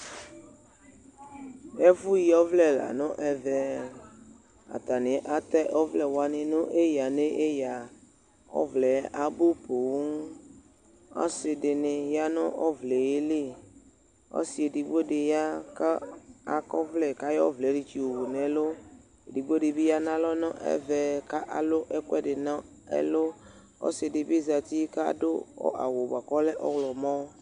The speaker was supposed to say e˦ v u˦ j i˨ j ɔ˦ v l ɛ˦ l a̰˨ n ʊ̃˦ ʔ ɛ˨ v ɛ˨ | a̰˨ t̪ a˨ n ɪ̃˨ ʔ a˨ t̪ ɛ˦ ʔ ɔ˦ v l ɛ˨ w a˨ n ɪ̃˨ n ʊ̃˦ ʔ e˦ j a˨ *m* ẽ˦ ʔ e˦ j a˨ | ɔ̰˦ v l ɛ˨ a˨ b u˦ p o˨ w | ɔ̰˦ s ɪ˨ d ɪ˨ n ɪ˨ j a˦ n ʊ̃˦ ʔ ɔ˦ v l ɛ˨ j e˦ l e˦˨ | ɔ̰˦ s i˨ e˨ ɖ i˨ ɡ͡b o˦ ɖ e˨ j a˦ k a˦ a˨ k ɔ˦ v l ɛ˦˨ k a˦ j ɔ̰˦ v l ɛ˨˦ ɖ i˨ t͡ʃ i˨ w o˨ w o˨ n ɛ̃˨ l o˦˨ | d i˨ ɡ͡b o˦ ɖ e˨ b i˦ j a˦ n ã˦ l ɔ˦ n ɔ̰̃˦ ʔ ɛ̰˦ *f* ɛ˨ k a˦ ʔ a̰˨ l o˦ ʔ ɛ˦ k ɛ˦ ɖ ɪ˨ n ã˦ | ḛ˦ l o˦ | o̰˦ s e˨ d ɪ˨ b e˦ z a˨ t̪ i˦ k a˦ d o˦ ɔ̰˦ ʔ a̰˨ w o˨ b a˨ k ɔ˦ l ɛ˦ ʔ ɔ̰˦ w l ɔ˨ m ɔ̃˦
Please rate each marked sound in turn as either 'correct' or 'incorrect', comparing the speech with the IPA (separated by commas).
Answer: incorrect, incorrect